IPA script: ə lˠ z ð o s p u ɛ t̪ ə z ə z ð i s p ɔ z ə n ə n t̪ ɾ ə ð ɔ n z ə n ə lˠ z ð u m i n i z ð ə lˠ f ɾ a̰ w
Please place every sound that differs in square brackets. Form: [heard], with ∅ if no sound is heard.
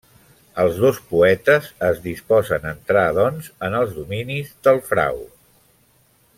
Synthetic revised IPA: ə lˠ z ð o s p u ɛ t̪ ə z ə z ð i s p ɔ z ə n ə n t̪ ɾ [a] ð ɔ n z ə n ə lˠ z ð u m i n i z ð ə lˠ f ɾ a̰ w